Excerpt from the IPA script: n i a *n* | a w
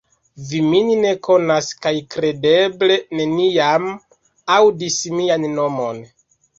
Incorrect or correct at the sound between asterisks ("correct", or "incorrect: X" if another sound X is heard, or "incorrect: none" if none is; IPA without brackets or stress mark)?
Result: incorrect: m